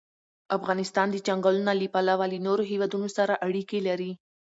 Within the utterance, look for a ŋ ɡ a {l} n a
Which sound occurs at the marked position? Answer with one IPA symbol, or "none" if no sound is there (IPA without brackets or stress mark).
l